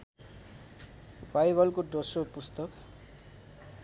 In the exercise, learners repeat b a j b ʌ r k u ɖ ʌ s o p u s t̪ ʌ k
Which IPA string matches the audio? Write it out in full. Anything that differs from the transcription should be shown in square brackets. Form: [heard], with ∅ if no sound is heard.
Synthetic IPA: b a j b ʌ [l] k [o] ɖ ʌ s o p u s t̪ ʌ k